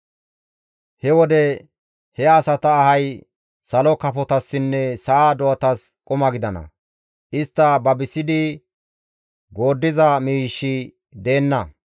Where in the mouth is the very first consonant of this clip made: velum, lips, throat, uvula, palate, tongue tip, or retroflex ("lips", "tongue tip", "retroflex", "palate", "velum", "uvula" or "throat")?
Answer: throat